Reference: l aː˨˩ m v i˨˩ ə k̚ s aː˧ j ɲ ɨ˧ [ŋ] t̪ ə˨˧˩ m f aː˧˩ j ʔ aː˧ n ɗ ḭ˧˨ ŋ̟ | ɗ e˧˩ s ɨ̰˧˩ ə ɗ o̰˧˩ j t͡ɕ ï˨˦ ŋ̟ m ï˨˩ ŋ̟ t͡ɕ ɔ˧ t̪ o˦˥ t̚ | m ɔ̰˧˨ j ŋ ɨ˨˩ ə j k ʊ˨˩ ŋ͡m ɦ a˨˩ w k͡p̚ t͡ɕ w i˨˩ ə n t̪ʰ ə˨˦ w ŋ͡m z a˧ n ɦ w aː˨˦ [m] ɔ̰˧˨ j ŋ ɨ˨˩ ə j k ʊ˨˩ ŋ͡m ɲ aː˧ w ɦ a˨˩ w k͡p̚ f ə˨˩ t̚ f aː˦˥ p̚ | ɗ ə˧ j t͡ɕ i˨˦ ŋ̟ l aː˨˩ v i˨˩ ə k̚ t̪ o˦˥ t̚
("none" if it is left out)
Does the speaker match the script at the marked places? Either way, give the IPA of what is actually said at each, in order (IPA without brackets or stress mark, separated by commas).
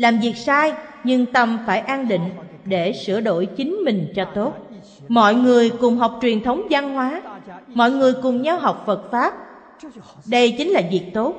ŋ, m